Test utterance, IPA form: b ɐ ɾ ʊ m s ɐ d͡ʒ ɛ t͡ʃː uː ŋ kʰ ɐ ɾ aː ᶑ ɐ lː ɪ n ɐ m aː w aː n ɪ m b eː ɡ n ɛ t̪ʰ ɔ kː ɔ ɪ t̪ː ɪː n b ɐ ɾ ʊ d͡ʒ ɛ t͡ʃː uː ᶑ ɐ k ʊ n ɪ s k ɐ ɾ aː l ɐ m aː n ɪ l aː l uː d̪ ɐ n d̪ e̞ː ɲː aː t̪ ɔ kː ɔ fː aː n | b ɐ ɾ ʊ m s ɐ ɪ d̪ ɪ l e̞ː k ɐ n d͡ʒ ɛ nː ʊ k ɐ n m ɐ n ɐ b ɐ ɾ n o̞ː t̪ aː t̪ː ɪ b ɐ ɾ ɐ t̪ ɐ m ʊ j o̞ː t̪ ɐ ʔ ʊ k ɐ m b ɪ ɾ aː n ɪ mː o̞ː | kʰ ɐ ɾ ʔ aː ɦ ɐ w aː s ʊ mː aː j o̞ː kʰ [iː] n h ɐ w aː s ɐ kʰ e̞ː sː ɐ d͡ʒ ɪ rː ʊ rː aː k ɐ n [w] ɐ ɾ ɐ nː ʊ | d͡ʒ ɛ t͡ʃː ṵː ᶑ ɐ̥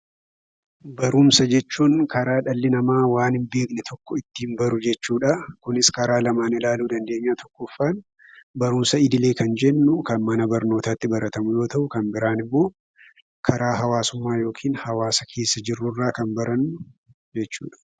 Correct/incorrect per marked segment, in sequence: correct, incorrect: b

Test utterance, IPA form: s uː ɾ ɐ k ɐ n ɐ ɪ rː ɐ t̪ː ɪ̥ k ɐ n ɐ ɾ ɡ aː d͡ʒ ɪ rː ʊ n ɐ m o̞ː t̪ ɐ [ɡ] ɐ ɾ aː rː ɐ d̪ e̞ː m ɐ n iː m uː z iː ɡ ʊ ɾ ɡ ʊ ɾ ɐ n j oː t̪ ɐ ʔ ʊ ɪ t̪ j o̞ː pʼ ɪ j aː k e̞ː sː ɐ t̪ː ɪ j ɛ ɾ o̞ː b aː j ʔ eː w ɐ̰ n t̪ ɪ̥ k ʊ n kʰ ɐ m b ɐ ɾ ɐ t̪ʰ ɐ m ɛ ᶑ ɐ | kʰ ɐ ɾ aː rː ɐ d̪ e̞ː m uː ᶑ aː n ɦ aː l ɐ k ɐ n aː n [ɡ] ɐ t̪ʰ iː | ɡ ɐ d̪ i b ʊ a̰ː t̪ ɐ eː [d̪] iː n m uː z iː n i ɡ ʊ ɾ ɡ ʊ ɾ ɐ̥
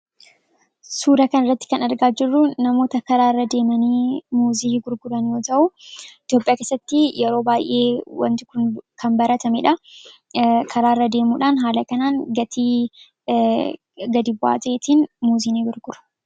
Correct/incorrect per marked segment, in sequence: incorrect: k, correct, incorrect: t̪

